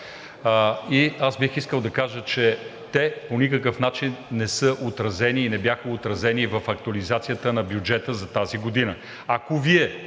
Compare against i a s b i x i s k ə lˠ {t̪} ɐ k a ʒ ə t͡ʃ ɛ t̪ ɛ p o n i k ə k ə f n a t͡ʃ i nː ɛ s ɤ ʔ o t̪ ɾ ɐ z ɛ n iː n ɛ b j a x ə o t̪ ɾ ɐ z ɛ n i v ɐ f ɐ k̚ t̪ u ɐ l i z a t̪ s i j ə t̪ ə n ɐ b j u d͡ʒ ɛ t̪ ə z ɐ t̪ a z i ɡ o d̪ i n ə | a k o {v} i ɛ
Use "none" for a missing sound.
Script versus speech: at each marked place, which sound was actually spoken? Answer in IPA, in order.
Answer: d̪, v

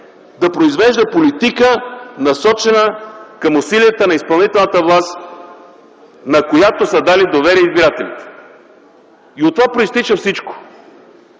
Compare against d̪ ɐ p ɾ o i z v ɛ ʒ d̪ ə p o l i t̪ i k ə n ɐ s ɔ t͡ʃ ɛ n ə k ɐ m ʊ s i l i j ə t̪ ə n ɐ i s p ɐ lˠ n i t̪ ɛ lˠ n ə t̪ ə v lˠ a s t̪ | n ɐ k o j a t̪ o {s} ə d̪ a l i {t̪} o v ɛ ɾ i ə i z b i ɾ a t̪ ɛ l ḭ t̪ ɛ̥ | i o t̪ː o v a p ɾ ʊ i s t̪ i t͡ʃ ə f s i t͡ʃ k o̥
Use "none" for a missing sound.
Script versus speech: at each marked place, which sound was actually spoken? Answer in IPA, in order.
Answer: s, d̪

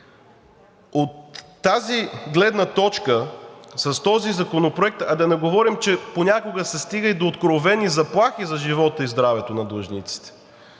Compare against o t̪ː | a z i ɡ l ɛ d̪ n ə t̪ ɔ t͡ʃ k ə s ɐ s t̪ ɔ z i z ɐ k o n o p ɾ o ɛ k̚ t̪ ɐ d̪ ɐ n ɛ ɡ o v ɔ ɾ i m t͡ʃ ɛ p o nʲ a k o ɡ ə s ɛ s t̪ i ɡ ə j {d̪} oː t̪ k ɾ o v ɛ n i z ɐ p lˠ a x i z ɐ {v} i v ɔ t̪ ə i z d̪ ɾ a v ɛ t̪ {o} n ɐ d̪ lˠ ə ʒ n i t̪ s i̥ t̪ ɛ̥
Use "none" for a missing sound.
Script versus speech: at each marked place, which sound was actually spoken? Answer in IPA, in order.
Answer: d̪, ʒ, o

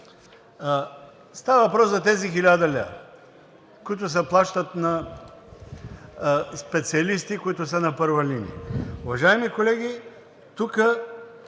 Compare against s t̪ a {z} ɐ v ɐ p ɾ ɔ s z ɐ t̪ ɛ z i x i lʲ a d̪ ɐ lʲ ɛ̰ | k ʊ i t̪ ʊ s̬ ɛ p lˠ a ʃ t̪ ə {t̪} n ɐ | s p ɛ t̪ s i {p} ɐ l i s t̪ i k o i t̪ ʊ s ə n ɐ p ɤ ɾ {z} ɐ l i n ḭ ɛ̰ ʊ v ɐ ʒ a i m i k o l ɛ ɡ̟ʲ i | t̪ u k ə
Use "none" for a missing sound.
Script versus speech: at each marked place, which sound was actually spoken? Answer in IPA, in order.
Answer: v, t̪, none, v

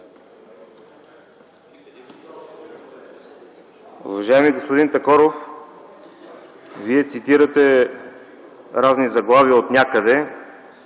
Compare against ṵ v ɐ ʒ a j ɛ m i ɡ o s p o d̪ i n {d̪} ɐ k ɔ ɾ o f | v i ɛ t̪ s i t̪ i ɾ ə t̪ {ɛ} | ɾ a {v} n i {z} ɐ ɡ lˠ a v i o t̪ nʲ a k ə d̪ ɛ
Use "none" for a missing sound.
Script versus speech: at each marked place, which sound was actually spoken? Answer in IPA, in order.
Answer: t̪, ɛ, z, z

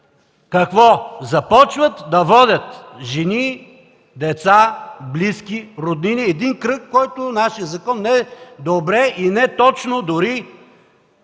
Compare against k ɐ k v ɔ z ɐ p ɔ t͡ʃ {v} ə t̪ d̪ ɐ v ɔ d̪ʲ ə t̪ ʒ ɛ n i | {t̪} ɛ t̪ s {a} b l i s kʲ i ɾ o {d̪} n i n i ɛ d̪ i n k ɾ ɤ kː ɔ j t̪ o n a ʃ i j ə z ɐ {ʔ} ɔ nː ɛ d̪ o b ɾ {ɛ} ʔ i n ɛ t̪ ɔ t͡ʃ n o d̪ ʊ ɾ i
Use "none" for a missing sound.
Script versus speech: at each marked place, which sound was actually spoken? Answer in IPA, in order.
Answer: v, d̪, a, d̪, k, ɛ

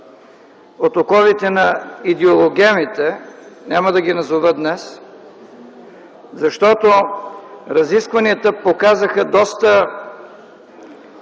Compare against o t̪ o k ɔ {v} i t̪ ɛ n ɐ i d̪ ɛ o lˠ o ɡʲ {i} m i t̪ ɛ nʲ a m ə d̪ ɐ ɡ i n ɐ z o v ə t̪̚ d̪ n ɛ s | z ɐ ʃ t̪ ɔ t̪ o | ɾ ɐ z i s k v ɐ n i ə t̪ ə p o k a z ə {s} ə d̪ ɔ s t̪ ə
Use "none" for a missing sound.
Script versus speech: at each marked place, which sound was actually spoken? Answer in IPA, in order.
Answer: v, ɛ, x

